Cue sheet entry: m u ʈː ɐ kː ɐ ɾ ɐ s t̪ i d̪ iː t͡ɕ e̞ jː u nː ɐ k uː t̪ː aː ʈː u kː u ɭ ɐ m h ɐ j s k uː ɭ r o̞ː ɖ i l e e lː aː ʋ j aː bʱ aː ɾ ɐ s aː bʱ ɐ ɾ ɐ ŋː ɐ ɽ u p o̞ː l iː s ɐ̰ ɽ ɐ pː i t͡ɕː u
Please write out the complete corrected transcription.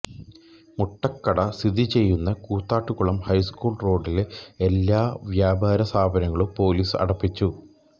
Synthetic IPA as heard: m u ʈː ɐ kː ɐ ɽ ɐ s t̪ i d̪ i t͡ɕ e̞ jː u nː ɐ k uː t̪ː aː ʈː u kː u ɭ ɐ m h ɐ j s k uː ɭ r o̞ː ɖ i l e e lː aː ʋ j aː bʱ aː ɾ ɐ s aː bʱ ɐ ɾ ɐ ŋː ɐ ɭ u p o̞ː l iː s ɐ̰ ɽ ɐ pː i t͡ɕː u

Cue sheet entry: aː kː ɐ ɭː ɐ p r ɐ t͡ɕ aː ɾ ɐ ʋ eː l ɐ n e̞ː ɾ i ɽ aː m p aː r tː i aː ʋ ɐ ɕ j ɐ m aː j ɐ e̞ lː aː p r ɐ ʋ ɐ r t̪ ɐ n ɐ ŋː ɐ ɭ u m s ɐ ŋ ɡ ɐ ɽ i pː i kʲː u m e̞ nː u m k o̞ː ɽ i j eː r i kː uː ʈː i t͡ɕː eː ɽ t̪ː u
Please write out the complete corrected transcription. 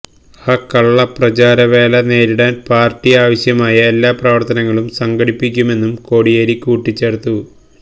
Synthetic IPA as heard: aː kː ɐ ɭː ɐ p r ɐ t͡ɕ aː ɾ ɐ ʋ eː l ɐ n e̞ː ɾ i ɽ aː n p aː r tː i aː ʋ ɐ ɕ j ɐ m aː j ɐ e̞ lː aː p r ɐ ʋ ɐ r t̪ ɐ n ɐ ŋː ɐ ɭ u m s ɐ ŋ ɡ ɐ ɽ i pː i kʲː u m e̞ nː u m k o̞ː ɽ i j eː ɾ i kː uː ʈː i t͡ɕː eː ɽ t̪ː u

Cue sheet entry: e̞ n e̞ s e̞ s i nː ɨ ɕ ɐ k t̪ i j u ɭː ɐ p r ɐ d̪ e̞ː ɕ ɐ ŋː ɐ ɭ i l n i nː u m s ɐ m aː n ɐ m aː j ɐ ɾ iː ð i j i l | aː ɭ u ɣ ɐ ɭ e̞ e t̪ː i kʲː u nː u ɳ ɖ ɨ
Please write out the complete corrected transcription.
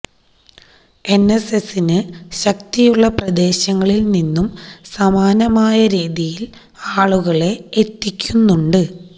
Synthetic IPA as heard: e̞ n e̞ s e̞ s i n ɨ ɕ ɐ k t̪ i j u ɭː ɐ p r ɐ d̪ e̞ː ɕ ɐ ŋː ɐ ɭ i l n i nː u m s ɐ m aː n ɐ m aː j ɐ ɾ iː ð i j i l | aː ɭ u ɣ ɐ ɭ e̞ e t̪ː i kʲː u nː u ɳ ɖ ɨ

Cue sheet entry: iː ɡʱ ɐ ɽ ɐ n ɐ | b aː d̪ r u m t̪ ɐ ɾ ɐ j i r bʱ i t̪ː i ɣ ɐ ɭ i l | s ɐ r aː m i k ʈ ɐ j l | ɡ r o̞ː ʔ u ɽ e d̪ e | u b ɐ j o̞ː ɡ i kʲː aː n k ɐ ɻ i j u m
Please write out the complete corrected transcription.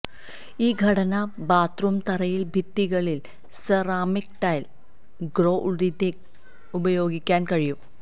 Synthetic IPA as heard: iː ɡʱ ɐ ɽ ɐ n ɐ | b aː t̪ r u m t̪ ɐ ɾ ɐ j i l bʱ i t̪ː i ɣ ɐ ɭ i l | s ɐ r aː m i k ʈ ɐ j l | ɡ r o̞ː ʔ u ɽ i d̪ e | u b ɐ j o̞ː ɡ i kʲː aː n k ɐ ɻ i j u m

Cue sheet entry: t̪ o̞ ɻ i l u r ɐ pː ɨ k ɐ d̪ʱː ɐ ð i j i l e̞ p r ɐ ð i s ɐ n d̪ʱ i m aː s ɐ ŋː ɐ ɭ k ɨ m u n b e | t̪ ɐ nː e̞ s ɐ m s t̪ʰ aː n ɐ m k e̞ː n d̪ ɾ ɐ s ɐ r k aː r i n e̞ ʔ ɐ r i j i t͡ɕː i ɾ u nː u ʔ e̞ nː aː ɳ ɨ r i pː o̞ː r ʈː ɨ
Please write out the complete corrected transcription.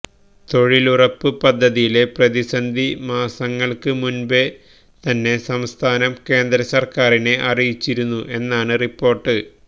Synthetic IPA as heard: t̪ o̞ ɻ i l u r ɐ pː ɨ p ɐ d̪ʱː ɐ ð i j i l e̞ p r ɐ ð i s ɐ n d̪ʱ i m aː s ɐ ŋː ɐ ɭ k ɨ m u n b e | t̪ ɐ nː e̞ s ɐ m s t̪ʰ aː n ɐ m k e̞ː n d̪ ɾ ɐ s ɐ r k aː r i n e̞ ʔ ɐ r i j i t͡ɕː i ɾ u nː u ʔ e̞ nː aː ɳ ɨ r i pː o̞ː r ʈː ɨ

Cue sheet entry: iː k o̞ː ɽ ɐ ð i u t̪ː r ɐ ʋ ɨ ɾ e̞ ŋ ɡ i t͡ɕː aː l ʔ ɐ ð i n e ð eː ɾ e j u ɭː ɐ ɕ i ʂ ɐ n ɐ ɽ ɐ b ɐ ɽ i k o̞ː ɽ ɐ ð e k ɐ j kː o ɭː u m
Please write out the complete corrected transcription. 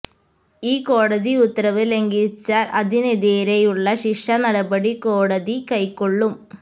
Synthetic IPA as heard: iː k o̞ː ɽ ɐ ð i u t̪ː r ɐ ʋ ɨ l e̞ ŋ ɡ i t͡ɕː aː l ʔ ɐ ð i n e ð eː ɾ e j u ɭː ɐ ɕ i ʂ ɐ n ɐ ɽ ɐ b ɐ ɽ i k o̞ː ɽ ɐ ð i k ɐ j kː o ɭː u m

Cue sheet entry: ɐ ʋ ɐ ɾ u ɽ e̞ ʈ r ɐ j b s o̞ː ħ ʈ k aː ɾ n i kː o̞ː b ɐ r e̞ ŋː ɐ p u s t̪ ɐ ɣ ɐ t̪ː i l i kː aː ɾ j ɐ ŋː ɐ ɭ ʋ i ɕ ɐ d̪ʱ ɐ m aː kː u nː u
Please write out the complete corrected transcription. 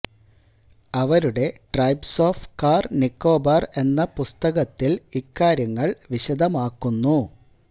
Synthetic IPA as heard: ɐ ʋ ɐ ɾ u ɽ e̞ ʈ r ɐ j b s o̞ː f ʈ k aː r n i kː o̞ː b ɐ r e̞ nː ɐ p u s t̪ ɐ ɣ ɐ t̪ː i l i kː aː ɾ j ɐ ŋː ɐ ɭ ʋ i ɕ ɐ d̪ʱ ɐ m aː kː u nː u

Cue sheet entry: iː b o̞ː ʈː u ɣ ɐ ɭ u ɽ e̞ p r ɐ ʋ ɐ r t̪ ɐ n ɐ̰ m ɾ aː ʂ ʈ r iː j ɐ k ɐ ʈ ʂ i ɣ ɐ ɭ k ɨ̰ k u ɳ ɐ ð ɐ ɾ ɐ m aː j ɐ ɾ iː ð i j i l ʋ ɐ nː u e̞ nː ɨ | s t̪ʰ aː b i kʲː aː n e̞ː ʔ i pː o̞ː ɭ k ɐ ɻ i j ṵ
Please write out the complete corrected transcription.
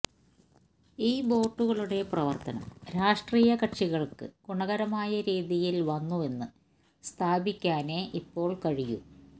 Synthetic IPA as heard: iː b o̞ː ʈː u ɣ ɐ ɭ u ɽ e̞ p r ɐ ʋ ɐ r t̪ ɐ n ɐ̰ m ɾ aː ʂ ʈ r iː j ɐ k ɐ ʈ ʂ i ɣ ɐ ɭ k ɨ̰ k u ɳ ɐ ɣ ɐ ɾ ɐ m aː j ɐ ɾ iː ð i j i l ʋ ɐ nː u e̞ nː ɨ | s t̪ʰ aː b i kʲː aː n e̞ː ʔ i pː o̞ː ɭ k ɐ ɻ i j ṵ

